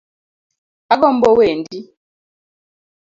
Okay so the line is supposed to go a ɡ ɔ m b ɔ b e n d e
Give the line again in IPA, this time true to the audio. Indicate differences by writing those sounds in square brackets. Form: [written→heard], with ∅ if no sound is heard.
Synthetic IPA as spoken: a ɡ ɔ m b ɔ [b→w] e n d [e→i]